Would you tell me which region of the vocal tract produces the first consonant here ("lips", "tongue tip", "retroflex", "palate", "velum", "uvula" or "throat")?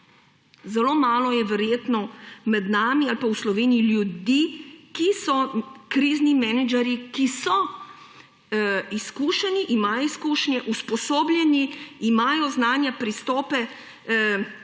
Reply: tongue tip